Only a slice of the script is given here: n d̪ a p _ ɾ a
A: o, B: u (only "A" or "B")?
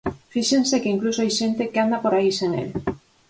A